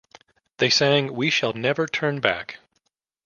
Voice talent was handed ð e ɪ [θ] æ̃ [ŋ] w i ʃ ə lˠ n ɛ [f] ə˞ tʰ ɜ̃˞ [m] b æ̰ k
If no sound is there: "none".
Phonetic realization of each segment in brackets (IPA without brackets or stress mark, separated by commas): s, ŋ, v, n